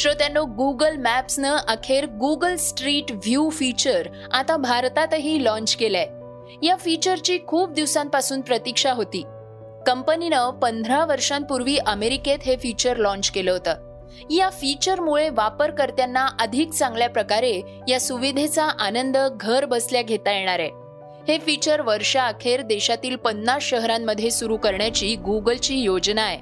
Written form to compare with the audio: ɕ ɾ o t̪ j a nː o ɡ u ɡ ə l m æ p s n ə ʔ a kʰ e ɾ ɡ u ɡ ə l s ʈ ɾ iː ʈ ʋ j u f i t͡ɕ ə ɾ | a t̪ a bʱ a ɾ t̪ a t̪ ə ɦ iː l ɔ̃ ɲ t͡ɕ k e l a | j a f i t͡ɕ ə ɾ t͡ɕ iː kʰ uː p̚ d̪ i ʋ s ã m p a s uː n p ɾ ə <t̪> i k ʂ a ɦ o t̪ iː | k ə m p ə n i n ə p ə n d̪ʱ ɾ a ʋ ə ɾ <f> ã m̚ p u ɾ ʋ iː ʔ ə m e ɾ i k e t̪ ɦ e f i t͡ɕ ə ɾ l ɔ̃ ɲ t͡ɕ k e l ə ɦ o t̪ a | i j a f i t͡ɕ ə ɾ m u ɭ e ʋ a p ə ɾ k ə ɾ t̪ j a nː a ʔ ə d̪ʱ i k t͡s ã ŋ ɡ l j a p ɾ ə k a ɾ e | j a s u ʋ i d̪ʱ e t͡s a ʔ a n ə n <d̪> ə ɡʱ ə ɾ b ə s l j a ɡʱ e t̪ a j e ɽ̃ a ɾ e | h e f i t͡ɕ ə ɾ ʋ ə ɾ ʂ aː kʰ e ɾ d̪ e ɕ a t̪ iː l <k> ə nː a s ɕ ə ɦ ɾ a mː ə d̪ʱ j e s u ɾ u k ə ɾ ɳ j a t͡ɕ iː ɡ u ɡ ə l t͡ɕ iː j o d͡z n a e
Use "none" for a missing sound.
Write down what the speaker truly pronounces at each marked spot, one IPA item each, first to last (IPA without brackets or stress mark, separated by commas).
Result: t̪, ʂ, d̪, p